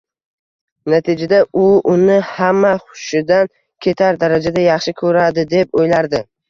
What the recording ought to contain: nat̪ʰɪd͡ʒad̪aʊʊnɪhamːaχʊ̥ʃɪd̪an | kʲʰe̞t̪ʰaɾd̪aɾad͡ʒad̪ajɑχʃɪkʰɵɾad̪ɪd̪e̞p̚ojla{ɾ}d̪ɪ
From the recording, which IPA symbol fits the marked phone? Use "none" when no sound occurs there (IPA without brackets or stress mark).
ɾ